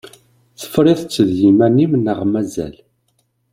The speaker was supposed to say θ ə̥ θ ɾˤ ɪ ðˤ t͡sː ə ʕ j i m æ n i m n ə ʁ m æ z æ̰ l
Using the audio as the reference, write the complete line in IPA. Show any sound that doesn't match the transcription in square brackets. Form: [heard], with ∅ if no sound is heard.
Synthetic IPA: θ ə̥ [f] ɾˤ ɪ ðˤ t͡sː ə [ð] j i m æ n i m n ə ʁ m æ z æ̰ l